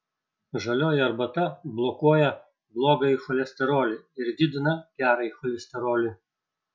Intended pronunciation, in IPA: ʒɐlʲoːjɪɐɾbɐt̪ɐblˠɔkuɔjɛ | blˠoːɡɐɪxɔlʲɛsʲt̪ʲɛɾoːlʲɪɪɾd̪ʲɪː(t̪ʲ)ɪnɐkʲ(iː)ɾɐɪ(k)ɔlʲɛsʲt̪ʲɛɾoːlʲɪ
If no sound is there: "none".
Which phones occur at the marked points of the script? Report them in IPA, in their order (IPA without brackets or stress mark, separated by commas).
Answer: d̪ʲ, æː, x